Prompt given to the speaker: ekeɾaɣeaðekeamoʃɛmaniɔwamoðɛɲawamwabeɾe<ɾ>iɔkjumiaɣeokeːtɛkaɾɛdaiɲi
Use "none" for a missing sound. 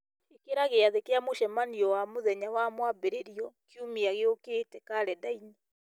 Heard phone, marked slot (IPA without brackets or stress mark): ɾ